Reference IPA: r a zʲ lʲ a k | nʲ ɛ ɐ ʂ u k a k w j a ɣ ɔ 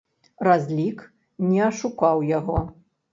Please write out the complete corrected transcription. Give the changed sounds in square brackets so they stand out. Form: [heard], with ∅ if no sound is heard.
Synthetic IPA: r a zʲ lʲ [i] k | nʲ ɛ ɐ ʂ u k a [∅] w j a ɣ ɔ